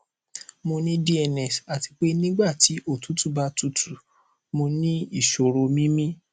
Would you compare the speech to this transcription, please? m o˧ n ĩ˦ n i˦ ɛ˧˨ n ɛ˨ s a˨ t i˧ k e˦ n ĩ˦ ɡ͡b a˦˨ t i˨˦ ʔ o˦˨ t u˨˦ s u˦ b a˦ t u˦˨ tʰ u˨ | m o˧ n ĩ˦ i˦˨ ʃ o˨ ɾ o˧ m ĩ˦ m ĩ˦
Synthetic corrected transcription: m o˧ n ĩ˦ d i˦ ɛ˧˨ n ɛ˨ s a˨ t i˧ k͡p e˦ n ĩ˦ ɡ͡b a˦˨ t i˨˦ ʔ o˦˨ t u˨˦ t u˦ b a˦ t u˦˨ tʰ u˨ | m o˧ n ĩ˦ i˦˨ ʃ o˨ ɾ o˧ m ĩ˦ m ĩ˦